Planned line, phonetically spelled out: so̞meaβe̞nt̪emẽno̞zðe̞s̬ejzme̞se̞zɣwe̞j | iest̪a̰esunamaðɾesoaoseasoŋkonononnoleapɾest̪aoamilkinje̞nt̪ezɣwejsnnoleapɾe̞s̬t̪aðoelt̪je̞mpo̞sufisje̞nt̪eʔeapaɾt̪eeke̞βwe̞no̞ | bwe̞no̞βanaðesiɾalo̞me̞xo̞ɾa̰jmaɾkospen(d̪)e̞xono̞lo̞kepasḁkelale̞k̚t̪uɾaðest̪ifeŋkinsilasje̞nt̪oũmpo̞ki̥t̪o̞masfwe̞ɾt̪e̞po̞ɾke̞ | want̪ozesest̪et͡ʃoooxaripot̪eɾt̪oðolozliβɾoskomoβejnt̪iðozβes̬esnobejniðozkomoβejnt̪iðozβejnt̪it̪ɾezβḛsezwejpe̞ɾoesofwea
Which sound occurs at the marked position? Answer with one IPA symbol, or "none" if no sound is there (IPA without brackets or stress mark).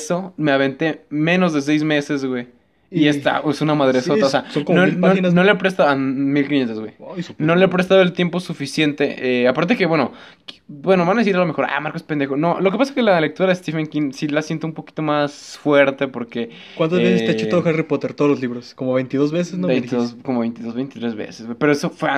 d̪